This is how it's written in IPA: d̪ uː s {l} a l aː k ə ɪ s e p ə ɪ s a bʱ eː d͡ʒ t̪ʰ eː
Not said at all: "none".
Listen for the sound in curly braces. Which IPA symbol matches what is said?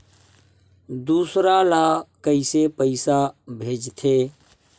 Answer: ɾ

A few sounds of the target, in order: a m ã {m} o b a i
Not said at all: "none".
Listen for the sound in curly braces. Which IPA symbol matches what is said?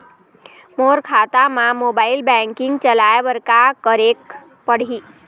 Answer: m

